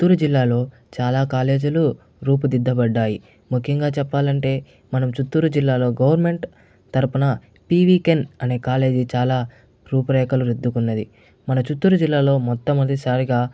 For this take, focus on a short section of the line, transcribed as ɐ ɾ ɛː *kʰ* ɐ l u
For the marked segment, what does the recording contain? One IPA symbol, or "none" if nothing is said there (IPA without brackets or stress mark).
k